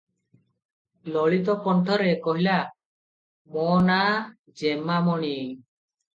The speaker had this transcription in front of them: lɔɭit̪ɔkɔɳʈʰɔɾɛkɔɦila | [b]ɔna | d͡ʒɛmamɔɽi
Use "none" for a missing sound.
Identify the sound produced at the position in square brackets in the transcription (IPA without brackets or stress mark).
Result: m